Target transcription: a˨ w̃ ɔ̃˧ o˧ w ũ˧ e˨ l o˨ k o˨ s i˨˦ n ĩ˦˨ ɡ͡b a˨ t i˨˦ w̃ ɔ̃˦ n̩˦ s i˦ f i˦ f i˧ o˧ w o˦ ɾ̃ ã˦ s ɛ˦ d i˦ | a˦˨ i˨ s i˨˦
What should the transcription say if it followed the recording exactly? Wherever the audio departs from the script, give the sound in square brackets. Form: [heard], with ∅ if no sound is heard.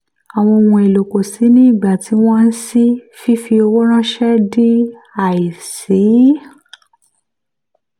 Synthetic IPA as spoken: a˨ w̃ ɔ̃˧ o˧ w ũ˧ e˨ l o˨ k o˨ s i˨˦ n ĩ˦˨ ɡ͡b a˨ t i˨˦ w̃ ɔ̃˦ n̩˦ s i˦ f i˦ f i˧ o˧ w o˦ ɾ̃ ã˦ [ʃ] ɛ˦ d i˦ | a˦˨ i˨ s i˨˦